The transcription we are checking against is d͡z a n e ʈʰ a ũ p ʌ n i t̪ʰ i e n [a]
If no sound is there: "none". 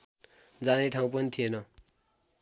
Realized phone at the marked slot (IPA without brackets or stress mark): ʌ